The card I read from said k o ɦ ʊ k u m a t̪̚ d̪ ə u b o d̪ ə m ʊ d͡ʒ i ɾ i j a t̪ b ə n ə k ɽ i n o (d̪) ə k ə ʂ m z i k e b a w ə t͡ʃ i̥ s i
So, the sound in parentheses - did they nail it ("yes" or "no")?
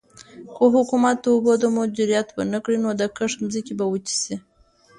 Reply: yes